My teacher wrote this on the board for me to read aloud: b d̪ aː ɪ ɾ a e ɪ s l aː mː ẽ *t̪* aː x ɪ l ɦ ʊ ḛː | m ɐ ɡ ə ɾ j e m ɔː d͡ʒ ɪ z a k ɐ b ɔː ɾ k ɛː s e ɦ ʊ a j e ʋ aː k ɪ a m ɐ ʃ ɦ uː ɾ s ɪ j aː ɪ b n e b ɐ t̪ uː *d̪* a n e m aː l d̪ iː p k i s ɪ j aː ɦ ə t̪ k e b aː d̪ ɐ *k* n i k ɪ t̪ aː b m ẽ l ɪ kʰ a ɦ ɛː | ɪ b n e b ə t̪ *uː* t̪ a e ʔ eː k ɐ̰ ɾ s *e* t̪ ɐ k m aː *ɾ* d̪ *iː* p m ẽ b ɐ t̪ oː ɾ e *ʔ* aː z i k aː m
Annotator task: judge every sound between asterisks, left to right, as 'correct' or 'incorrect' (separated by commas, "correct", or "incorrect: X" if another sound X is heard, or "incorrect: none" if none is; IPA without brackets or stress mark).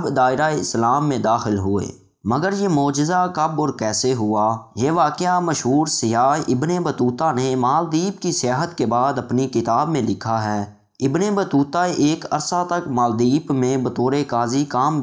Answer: incorrect: d̪, incorrect: t̪, incorrect: p, correct, incorrect: a, incorrect: l, correct, incorrect: k